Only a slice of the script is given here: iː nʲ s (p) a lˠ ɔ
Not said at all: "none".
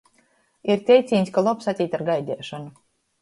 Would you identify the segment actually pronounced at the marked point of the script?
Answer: k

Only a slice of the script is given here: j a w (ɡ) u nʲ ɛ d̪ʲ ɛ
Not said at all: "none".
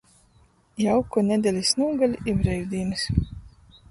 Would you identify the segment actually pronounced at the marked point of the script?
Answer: k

